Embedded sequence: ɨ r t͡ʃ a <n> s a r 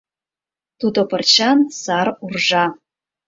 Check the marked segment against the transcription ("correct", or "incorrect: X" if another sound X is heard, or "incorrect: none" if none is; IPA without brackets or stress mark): correct